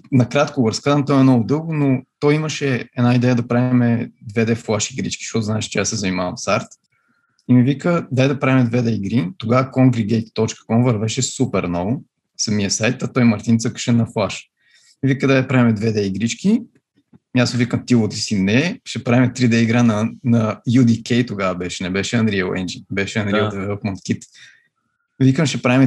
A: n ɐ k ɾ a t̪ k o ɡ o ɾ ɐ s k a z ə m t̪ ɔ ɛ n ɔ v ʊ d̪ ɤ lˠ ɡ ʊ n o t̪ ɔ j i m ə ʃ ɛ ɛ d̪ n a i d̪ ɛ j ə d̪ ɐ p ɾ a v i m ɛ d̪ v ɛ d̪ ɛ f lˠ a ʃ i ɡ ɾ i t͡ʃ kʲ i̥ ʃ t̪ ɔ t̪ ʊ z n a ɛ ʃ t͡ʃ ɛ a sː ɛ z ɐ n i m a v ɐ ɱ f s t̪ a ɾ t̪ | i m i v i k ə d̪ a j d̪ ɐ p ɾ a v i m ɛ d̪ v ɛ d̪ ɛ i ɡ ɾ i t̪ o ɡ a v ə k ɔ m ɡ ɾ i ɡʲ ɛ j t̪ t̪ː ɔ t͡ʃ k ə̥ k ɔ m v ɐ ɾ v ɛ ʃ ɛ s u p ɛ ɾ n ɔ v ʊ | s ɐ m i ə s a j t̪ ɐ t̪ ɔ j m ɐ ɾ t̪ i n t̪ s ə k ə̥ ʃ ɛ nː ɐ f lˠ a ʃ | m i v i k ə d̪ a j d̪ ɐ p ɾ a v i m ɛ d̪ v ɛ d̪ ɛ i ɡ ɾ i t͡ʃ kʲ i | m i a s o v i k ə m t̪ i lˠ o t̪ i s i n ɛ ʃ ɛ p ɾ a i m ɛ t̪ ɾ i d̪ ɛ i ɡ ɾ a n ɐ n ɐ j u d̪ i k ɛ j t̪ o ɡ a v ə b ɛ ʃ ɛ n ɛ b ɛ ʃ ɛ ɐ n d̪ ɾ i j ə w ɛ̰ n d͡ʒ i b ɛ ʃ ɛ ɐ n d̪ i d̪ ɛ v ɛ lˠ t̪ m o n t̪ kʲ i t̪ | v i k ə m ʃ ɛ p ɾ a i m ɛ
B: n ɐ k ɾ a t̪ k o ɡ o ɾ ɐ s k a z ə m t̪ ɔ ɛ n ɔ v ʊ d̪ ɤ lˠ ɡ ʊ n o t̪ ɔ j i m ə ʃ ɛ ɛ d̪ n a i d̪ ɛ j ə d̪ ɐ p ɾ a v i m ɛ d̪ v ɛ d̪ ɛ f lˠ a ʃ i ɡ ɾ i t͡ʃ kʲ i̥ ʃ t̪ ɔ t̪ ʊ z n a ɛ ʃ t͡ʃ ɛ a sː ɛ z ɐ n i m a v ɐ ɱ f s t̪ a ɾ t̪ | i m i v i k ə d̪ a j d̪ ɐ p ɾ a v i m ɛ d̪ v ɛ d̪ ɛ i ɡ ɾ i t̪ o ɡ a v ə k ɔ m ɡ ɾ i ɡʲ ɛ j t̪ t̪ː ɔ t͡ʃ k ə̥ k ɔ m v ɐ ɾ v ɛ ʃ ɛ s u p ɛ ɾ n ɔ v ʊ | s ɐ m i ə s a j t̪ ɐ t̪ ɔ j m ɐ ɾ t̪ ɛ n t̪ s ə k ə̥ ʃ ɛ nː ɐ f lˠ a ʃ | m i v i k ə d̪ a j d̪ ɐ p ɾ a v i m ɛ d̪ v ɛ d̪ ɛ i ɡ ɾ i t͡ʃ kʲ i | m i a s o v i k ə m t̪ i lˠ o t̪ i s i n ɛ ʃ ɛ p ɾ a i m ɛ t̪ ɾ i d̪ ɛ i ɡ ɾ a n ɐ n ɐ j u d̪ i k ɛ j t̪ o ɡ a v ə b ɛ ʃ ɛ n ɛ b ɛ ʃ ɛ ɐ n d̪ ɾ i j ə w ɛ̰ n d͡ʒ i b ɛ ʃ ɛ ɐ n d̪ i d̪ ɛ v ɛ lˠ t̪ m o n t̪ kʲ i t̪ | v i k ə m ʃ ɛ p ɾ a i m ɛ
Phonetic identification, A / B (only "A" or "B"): A